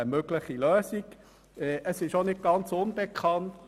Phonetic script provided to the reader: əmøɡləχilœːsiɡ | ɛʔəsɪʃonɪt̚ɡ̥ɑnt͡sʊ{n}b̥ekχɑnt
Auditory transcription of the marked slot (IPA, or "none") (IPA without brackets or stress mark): n